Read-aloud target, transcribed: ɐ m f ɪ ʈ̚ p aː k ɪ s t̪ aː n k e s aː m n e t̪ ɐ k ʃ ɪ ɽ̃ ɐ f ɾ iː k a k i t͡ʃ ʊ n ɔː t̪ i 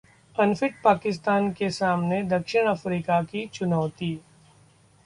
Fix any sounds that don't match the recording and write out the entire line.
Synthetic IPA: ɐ n f ɪ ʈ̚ p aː k ɪ s t̪ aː n k e s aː m n e d̪ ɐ k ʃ ɪ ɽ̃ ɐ f ɾ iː k a k i t͡ʃ ʊ n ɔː t̪ i